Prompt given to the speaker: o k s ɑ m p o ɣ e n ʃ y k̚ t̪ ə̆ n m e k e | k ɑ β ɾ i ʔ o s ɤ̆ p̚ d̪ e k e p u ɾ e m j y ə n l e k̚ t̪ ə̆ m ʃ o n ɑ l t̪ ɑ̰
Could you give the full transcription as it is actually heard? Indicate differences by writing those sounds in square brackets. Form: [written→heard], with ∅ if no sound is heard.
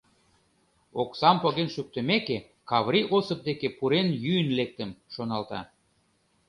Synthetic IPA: o k s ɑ m p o ɣ e n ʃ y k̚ t̪ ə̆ [n→∅] m e k e | k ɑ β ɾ i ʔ o s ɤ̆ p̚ d̪ e k e p u ɾ e [m→n] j y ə n l e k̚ t̪ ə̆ m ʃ o n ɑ l t̪ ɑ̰